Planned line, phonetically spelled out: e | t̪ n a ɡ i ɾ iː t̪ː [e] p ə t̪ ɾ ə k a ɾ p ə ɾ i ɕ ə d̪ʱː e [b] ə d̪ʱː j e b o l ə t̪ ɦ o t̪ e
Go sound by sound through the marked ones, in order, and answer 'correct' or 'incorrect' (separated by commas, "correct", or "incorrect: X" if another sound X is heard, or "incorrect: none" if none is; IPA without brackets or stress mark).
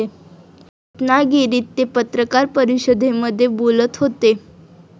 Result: correct, incorrect: m